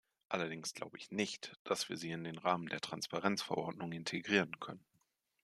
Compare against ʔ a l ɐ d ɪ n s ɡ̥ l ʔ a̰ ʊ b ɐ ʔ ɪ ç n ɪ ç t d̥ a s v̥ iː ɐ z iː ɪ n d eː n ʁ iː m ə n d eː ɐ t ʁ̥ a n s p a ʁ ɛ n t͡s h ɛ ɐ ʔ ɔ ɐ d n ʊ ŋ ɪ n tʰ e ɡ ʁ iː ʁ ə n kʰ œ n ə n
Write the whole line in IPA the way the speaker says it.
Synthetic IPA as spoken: ʔ a l ɐ d ɪ ŋ s ɡ̥ l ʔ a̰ ʊ b ə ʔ ɪ ç n ɪ ç t d̥ a s v̥ iː ɐ z iː ɪ n d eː n ʁ aː m ə n d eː ɐ t ʁ̥ a n s p a ʁ ɛ n t͡s f ɛ ɐ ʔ ɔ ɐ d n ʊ ŋ ɪ n tʰ e ɡ ʁ iː ʁ ə n kʰ œ n ə n